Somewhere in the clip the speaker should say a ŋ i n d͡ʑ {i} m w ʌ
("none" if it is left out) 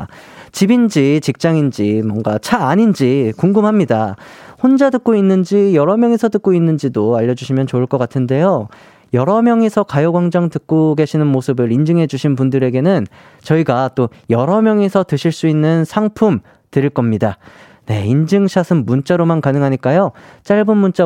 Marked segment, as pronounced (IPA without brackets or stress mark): i